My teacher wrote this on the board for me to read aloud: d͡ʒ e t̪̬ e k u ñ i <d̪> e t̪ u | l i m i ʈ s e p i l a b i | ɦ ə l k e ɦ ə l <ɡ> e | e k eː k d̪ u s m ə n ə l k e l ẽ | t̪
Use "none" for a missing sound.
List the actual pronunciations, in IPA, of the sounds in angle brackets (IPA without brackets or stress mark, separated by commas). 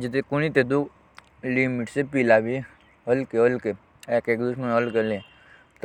t̪, k